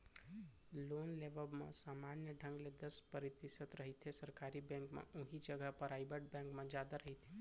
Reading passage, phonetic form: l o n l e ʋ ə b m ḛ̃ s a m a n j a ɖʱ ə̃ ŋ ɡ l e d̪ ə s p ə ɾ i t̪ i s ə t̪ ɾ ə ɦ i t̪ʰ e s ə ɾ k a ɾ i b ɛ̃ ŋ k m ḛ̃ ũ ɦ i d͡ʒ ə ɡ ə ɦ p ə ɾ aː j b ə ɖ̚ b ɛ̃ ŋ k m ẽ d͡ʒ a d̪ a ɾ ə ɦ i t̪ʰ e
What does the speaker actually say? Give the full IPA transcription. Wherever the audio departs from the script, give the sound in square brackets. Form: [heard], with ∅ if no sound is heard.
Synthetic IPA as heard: l o n l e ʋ ə b m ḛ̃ s a m a n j [ə] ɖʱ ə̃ ŋ ɡ l e d̪ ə s p ə ɾ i t̪ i s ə t̪ ɾ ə ɦ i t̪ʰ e s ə ɾ k a ɾ i b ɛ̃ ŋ k m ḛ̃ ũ ɦ i d͡ʒ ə ɡ ə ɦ p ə ɾ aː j b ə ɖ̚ b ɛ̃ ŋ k m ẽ d͡ʒ a d̪ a ɾ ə ɦ i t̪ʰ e